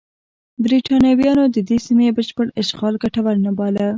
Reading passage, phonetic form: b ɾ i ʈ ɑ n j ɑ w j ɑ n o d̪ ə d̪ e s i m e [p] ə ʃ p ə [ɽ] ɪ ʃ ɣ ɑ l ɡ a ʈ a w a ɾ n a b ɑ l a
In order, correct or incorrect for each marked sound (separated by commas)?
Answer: incorrect, correct